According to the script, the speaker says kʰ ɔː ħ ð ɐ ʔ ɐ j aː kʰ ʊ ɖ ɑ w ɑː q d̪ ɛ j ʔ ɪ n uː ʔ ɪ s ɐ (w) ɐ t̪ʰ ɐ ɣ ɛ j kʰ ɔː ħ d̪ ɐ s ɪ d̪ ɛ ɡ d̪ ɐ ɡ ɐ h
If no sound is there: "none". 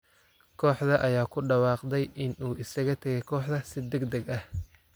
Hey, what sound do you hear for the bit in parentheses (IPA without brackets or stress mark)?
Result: ɣ